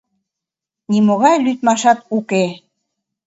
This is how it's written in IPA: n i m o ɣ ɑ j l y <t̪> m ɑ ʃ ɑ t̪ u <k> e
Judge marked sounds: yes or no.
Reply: yes, yes

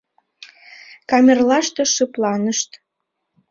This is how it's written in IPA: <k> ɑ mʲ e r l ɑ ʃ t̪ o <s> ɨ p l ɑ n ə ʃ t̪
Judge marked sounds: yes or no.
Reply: yes, no

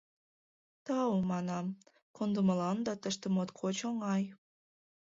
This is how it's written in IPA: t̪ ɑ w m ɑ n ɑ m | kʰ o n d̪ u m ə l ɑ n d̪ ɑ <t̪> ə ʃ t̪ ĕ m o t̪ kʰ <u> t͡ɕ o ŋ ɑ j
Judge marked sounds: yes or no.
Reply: yes, no

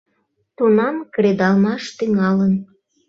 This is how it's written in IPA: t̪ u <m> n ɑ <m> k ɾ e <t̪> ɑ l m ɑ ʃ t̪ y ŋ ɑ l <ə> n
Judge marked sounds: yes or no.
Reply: no, yes, no, yes

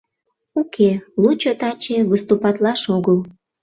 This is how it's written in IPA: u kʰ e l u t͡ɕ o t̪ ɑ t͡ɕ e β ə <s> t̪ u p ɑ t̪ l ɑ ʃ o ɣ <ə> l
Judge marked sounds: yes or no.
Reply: yes, yes

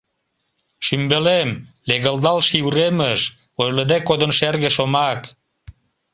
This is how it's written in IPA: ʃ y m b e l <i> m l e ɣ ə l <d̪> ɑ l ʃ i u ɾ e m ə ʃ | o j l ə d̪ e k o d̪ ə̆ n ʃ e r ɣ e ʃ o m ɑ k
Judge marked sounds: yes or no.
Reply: no, yes

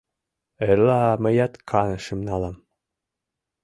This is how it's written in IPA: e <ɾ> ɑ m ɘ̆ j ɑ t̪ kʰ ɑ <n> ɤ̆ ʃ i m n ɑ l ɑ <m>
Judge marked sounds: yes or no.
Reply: no, yes, yes

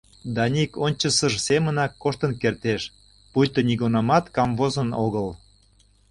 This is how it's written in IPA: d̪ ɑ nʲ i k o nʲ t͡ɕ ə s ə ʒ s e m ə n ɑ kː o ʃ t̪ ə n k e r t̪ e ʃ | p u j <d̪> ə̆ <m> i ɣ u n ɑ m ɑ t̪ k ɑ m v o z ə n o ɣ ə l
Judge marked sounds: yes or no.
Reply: no, no

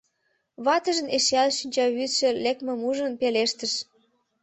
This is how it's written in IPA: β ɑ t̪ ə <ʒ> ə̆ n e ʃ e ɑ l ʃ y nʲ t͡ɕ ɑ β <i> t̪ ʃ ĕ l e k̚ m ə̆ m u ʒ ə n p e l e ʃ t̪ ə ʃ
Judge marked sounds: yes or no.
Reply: yes, no

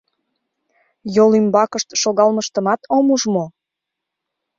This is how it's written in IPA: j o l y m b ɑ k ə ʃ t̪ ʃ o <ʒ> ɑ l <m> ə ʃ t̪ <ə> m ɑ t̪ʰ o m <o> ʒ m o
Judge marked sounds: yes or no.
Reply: no, yes, yes, no

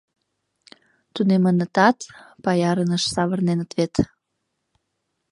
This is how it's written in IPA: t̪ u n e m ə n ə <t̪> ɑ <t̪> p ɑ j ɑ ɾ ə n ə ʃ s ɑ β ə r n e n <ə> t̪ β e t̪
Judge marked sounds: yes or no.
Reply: yes, yes, yes

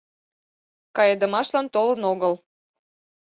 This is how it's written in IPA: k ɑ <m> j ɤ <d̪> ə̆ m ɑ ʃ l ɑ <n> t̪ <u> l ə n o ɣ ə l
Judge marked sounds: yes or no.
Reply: no, yes, yes, no

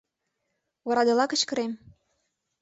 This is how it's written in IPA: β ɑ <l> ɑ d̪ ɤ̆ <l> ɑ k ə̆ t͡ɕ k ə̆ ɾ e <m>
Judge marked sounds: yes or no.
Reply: no, yes, yes

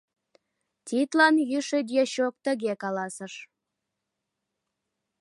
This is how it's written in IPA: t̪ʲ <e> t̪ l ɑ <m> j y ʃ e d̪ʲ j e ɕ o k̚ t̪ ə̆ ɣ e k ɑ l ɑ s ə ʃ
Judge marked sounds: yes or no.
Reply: no, no

